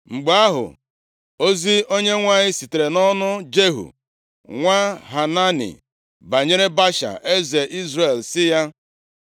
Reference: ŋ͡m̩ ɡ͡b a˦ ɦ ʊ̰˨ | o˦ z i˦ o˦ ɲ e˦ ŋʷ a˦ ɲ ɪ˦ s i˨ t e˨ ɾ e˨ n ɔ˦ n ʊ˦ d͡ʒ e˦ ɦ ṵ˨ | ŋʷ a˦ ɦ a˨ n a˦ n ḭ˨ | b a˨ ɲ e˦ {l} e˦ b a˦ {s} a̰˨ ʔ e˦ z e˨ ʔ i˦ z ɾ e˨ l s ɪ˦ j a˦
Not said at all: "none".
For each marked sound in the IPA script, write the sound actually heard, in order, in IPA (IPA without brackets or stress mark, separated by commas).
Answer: ɾ, ʃ